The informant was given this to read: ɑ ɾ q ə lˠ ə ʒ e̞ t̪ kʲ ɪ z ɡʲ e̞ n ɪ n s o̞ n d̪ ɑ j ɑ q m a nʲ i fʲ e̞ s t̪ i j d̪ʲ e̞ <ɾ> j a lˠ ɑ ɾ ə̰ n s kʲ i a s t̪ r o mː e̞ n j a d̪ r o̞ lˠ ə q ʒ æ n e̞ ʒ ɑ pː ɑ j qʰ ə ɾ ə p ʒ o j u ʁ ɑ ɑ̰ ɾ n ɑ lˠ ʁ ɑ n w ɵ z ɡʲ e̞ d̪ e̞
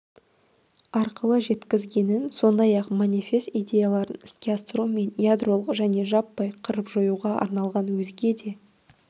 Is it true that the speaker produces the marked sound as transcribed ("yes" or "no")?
no